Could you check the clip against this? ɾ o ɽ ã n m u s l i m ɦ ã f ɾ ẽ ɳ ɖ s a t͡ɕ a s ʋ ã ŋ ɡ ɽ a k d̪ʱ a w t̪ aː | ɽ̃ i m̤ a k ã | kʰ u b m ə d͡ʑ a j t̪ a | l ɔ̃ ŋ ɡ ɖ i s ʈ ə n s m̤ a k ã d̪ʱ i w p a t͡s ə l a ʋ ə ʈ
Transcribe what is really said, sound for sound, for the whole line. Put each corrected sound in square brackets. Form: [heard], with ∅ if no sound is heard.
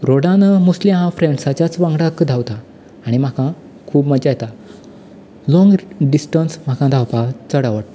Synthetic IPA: ɾ o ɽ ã n m u s l i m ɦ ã f ɾ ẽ ɳ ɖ s a t͡ɕ a [t͡s] ʋ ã ŋ ɡ ɽ a k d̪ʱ a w t̪ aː | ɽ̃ i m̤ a k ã | kʰ [uː] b m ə d͡ʑ a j t̪ a | l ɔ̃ ŋ ɡ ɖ i s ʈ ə n s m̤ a k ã d̪ʱ [a] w p a t͡s ə [ɽ] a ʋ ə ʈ